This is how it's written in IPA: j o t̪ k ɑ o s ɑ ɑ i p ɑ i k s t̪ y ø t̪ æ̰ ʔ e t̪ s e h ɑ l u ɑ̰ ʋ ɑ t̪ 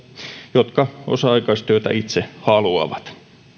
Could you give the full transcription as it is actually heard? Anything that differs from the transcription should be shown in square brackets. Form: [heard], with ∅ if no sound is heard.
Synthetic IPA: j o t̪ k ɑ o s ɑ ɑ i [k] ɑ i [∅] s t̪ y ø t̪ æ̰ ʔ [i] t̪ s e h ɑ l u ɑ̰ ʋ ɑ t̪